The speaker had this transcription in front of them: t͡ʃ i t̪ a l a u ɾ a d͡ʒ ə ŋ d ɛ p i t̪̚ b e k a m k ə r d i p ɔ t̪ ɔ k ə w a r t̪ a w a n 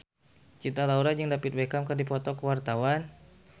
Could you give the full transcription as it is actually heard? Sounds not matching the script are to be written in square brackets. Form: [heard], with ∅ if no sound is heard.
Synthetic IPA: t͡ʃ i t̪ a l a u ɾ a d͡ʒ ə ŋ d [a] p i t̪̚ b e k a m k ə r d i p ɔ t̪ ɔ k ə w a r t̪ a w a n

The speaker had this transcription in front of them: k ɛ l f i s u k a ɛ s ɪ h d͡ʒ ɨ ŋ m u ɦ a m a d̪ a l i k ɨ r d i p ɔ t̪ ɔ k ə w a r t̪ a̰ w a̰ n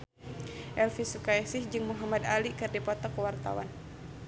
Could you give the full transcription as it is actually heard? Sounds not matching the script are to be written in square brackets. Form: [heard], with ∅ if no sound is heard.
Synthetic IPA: [ʔ] ɛ l f i s u k a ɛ s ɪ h d͡ʒ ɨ ŋ m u ɦ a m a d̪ a l i k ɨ r d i p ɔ t̪ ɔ k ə w a r t̪ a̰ w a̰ n

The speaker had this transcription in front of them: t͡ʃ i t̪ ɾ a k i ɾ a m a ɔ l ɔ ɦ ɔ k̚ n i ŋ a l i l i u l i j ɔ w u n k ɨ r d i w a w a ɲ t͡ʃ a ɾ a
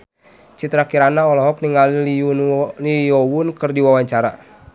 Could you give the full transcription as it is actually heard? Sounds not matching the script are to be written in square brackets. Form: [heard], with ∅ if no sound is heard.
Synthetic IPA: t͡ʃ i t̪ ɾ a k i ɾ a [n] a ɔ l ɔ ɦ ɔ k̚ n i ŋ a l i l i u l i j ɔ w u n k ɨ r d i w a w a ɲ t͡ʃ a ɾ a

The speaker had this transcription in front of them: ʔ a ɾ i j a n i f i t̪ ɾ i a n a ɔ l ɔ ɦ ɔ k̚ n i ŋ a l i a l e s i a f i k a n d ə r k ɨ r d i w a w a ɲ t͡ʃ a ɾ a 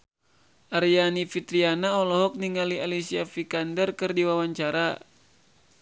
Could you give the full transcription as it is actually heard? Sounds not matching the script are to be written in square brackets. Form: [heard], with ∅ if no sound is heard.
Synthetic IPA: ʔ a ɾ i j a n i f i t̪ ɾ i a n a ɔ l ɔ ɦ ɔ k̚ n i ŋ a l i a l [i] s i a f i k a n d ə r k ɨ r d i w a w a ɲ t͡ʃ a ɾ a

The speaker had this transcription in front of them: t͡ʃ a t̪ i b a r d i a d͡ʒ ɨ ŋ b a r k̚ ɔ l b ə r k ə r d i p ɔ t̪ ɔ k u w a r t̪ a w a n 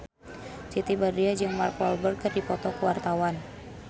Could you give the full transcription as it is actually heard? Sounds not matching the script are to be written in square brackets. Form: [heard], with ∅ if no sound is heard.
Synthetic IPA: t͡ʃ [i] t̪ i b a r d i a d͡ʒ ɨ ŋ [m] a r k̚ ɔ l b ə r k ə r d i p ɔ t̪ ɔ k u w a r t̪ a w a n

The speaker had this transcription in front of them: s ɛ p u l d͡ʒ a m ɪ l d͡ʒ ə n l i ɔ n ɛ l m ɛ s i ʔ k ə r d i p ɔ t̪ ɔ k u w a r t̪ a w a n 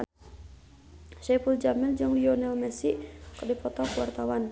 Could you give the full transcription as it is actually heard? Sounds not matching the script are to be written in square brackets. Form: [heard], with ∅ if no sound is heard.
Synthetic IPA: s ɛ p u l d͡ʒ a m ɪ l d͡ʒ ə [ŋ] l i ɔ n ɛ l m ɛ s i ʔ k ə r d i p ɔ t̪ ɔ k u w a r t̪ a w a n

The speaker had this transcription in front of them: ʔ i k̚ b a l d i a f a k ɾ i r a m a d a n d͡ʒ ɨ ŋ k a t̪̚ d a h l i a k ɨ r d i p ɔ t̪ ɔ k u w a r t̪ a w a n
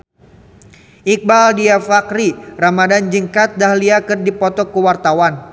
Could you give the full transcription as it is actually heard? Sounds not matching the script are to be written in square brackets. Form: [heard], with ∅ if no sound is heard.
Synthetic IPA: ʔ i k̚ b a l d i a f a k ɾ i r a m a d a n d͡ʒ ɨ ŋ k a t̪̚ d a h l i a k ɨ r d i p ɔ t̪ ɔ k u w a r t̪ a w a n

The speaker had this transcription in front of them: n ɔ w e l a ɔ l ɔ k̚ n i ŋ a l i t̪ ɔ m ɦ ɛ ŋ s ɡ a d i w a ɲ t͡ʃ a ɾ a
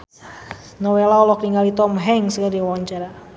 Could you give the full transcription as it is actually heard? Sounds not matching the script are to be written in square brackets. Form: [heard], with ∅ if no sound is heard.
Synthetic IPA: n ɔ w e l a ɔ l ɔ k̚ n i ŋ a l i t̪ ɔ m ɦ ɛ ŋ s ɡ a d i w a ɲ t͡ʃ a ɾ a

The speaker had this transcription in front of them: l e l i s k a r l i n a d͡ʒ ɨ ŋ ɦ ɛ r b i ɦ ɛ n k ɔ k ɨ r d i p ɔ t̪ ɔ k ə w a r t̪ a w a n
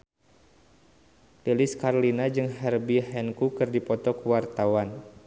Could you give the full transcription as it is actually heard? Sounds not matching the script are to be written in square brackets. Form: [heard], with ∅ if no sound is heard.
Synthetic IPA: l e l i s k a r l i n a d͡ʒ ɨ ŋ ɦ ɛ r b i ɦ ɛ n k [u] k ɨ r d i p ɔ t̪ ɔ k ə w a r t̪ a w a n

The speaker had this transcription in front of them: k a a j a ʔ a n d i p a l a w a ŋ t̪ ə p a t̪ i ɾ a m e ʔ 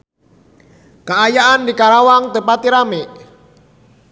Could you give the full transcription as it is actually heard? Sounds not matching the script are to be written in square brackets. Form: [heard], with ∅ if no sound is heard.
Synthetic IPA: k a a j a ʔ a n d i [k] a [ɾ] a w a ŋ t̪ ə p a t̪ i ɾ a m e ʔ

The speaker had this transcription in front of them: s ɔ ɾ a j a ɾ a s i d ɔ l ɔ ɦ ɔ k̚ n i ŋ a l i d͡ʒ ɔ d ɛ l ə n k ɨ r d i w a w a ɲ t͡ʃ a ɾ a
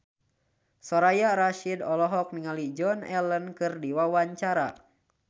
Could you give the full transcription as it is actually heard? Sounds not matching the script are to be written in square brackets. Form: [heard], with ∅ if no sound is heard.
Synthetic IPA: s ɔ ɾ a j a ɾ a [ʃ] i d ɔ l ɔ ɦ ɔ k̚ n i ŋ a l i d͡ʒ ɔ [n] ɛ l ə n k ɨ r d i w a w a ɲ t͡ʃ a ɾ a

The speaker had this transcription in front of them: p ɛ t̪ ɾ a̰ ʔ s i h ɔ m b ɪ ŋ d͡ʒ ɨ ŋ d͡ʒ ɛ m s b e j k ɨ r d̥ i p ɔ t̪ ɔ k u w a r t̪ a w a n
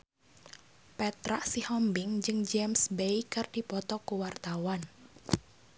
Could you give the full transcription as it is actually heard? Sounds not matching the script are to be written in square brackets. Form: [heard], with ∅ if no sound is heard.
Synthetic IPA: p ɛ t̪ ɾ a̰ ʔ s i h ɔ m b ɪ ŋ d͡ʒ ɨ ŋ d͡ʒ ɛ m s b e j k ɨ r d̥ i p ɔ t̪ ɔ k u w a r t̪ a w a n

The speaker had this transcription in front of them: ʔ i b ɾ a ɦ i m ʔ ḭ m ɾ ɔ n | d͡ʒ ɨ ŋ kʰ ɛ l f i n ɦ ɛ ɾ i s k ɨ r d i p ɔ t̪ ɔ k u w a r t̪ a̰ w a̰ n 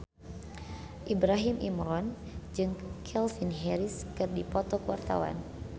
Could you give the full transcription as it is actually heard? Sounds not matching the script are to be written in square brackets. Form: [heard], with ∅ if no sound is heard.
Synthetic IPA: ʔ i b ɾ a ɦ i m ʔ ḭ m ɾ ɔ n | d͡ʒ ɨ ŋ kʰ ɛ l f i n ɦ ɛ ɾ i s k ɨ r d i p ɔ t̪ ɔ k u w a r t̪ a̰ w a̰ n

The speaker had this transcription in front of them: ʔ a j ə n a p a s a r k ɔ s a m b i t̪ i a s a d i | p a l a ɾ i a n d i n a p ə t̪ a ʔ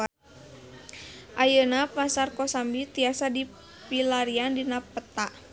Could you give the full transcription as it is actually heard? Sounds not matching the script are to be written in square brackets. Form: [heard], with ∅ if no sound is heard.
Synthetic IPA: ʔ a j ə n a p a s a r k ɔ s a m b i t̪ i a s a d i | p [i] l a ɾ i a n d i n a p ə t̪ a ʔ

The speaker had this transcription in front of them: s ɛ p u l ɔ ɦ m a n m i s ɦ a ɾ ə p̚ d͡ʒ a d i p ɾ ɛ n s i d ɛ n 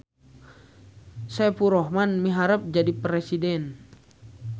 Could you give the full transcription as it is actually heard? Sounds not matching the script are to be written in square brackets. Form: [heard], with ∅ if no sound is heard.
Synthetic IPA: s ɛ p u [ɾ] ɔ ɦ m a n m i [∅] ɦ a ɾ ə p̚ d͡ʒ a d i p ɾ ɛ [∅] s i d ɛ n

